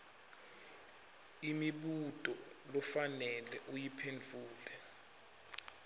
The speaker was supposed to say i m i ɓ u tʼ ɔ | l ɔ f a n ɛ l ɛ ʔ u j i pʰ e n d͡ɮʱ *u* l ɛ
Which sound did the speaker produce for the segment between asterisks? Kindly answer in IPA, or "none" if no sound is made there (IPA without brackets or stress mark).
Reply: uː